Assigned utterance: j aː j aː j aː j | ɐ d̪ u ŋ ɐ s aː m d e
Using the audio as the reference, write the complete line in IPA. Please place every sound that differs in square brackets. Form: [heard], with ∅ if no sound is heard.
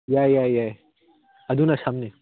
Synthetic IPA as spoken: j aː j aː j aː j | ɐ d̪ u [n] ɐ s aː m [n] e

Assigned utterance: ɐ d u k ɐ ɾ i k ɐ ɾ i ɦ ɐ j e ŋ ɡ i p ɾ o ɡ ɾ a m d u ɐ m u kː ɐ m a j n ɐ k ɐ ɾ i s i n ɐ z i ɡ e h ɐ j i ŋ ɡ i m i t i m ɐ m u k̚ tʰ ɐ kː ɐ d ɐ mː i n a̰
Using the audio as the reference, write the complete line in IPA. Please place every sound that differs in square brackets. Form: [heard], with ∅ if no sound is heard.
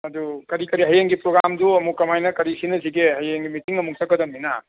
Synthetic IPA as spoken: ɐ d u k ɐ ɾ i k ɐ ɾ i ɦ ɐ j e ŋ ɡ i p ɾ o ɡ ɾ a m d u ɐ m u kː ɐ m a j n ɐ k ɐ ɾ i s i n ɐ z i ɡ e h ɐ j [e] ŋ ɡ i m i t i [ŋ] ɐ m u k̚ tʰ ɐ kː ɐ d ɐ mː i n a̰

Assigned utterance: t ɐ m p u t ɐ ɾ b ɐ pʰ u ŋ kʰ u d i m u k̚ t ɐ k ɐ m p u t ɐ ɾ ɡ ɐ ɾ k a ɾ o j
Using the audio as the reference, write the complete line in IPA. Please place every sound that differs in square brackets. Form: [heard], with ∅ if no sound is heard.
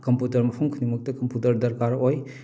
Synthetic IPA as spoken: [k] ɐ m p u t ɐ ɾ [m] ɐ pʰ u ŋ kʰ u [n] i m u k̚ t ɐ k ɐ m p u t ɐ ɾ [d] ɐ ɾ k a ɾ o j

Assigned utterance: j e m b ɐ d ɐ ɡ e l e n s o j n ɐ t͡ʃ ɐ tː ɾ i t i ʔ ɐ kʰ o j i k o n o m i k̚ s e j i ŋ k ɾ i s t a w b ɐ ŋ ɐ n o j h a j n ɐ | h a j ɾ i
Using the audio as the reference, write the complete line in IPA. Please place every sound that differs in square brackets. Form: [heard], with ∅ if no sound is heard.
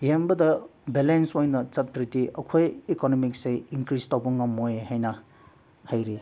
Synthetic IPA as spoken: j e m b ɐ d ɐ [b] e l e n s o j n ɐ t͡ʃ ɐ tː ɾ i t i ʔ ɐ kʰ o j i k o n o m i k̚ s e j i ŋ k ɾ i s t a w b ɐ ŋ ɐ [m] o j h a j n ɐ | h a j ɾ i

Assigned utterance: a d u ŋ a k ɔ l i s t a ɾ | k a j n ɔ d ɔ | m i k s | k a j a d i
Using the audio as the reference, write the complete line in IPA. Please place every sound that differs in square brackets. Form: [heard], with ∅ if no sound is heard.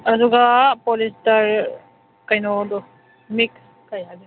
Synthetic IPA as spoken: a d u [ɡ] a [p] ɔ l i s t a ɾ | k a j n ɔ d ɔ | m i k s | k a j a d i

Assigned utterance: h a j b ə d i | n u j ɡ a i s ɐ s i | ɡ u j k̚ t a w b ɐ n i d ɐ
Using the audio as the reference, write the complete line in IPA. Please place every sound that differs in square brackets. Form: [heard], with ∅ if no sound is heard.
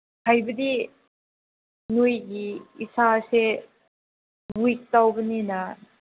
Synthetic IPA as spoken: h a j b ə d i | n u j ɡ [i] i s [a] s [e] | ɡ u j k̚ t a w b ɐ n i [n] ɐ

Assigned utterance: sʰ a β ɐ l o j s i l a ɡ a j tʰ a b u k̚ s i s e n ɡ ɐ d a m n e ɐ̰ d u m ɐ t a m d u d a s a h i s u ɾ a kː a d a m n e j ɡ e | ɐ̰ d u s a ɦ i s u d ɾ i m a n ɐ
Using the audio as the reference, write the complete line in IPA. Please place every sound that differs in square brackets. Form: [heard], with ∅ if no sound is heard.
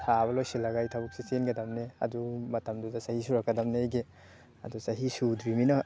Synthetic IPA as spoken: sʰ a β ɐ l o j s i l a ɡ a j tʰ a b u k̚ s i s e n ɡ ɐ d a m n e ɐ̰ d u m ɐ t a m d u d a s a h i s u ɾ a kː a d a m n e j ɡ e | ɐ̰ d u s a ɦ i s u d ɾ i m [i] n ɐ

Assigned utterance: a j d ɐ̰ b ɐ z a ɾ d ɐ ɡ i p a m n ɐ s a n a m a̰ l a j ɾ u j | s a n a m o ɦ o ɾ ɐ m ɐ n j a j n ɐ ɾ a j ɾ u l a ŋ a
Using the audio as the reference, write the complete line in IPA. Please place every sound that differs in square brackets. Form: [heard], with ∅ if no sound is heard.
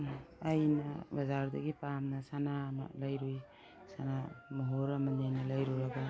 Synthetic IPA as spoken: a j [n] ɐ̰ b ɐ z a ɾ d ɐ ɡ i p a m n ɐ s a n a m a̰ l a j ɾ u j | s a n a m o ɦ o ɾ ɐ m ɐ n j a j n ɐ [l] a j ɾ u [ɾ] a [ɡ] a

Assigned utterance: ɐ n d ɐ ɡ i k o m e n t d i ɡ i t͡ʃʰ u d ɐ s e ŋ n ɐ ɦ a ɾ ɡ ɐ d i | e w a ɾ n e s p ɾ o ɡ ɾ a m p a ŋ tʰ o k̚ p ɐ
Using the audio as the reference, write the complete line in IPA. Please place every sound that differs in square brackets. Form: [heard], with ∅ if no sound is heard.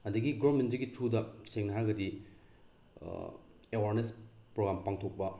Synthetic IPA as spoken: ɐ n d ɐ ɡ i [ɡ] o m e n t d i ɡ i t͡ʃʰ u d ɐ s e ŋ n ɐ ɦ a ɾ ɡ ɐ d i | e w a ɾ n e s p ɾ o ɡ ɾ a m p a ŋ tʰ o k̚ p ɐ

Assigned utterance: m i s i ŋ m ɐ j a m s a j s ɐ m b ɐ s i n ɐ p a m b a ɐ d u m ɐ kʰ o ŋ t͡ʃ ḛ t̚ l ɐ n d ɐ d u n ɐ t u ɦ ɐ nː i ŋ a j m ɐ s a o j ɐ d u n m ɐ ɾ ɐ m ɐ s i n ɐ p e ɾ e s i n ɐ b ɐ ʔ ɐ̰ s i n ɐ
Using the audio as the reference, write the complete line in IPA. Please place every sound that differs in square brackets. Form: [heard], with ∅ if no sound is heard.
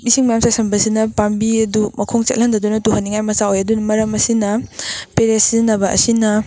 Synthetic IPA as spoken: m i s i ŋ m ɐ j a m s a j s ɐ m b ɐ s i n ɐ p a m b [i] ɐ d u m ɐ kʰ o ŋ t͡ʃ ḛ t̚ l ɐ n d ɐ d u n ɐ t u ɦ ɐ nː i ŋ a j m ɐ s a o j ɐ d u n m ɐ ɾ ɐ m ɐ s i n ɐ p e ɾ e s i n ɐ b ɐ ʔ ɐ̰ s i n ɐ

